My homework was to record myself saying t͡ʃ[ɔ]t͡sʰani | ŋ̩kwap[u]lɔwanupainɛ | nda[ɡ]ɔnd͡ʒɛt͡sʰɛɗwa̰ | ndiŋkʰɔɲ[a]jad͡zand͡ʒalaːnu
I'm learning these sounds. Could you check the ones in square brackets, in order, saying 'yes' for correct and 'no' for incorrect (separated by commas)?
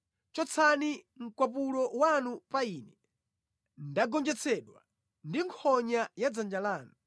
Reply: yes, yes, yes, yes